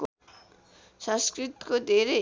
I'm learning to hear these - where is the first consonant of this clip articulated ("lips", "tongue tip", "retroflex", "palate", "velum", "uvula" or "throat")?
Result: tongue tip